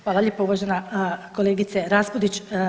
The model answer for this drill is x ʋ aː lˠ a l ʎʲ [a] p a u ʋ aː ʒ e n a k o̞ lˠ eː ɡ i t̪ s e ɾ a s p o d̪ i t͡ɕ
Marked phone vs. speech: incorrect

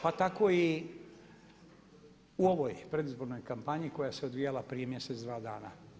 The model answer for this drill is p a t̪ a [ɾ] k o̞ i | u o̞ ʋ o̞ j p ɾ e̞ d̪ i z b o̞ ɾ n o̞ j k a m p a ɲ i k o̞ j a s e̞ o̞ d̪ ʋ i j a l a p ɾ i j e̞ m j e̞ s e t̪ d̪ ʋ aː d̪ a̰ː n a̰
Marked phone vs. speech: incorrect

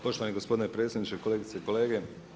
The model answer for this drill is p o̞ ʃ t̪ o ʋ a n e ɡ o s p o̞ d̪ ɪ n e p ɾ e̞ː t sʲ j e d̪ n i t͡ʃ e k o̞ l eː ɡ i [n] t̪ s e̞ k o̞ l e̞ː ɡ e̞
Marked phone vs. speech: incorrect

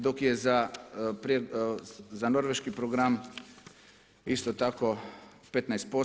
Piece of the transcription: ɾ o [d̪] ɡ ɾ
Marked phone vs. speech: incorrect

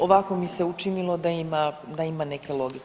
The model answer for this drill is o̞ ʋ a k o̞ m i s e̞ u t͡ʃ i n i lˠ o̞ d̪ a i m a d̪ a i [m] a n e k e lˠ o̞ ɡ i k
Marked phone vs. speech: correct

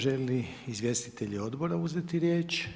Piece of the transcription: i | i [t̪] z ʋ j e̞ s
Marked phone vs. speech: incorrect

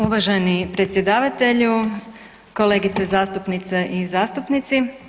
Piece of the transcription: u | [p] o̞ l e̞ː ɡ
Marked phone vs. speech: incorrect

